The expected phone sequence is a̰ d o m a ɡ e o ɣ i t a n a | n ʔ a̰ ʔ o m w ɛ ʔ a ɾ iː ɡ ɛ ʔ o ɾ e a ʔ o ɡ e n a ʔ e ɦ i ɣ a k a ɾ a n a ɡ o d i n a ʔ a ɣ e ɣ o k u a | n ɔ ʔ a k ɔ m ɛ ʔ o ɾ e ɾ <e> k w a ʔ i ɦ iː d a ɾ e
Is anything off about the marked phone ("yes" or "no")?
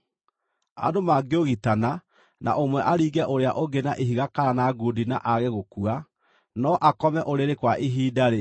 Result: no